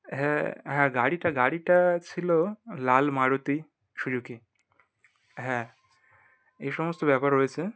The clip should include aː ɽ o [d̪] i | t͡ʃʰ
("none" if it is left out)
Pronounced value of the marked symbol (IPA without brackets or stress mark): t̪